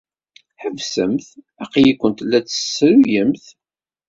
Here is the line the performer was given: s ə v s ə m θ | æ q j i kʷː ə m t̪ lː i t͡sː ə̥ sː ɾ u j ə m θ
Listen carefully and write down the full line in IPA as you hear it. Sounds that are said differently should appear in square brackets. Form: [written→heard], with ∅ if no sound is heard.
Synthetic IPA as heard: [s→ħ] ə v s ə m θ | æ q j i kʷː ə [m→n] t̪ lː [i→æ] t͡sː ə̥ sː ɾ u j ə m θ